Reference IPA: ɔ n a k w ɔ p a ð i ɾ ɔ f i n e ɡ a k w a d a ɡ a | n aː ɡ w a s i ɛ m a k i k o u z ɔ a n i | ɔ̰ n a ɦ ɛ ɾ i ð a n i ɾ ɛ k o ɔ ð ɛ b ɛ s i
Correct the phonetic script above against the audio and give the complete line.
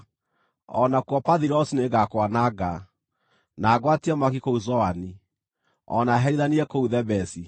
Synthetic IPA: ɔ n a k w ɔ p a ð i ɾ ɔ s i n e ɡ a k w a n a ɡ a | n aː ɡ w a t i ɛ m a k i k o u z ɔ a n i | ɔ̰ n a ɦ ɛ ɾ i ð a n i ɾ ɛ k o u ð ɛ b ɛ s i